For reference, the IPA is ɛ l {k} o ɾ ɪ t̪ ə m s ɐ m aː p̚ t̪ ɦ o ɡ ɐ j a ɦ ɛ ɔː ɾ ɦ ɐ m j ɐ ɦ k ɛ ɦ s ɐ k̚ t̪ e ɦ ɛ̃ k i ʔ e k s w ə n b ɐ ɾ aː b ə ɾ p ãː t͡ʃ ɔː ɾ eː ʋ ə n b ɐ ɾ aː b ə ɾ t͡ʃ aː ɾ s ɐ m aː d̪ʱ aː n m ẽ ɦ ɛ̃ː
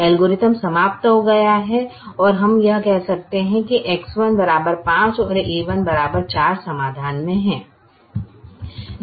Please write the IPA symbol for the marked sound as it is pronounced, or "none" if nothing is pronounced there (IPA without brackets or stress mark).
ɡ